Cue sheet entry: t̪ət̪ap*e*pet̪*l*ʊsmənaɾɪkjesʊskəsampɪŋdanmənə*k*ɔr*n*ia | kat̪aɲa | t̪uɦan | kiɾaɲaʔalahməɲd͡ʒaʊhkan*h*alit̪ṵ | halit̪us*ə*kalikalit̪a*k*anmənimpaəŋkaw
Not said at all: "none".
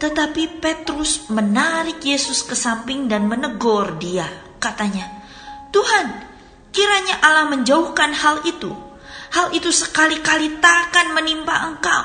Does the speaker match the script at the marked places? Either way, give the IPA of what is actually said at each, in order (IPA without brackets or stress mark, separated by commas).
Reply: i, ɾ, ɡ, d, h, ə, k